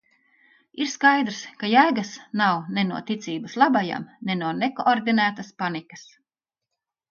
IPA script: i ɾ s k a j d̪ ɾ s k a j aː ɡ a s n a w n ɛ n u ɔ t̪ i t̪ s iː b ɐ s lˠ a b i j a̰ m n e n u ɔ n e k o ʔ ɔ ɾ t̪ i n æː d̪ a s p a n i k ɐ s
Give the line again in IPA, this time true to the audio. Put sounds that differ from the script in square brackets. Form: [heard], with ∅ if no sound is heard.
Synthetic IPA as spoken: i ɾ s k a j d̪ ɾ s k a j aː ɡ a s n a w n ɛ n u ɔ t̪ i t̪ s iː b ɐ s lˠ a b [a] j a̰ m n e n u ɔ n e k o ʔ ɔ ɾ [d̪] i n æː [t̪] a s p a n i k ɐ s